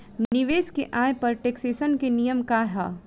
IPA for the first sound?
n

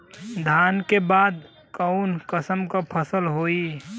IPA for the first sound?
d̪ʱ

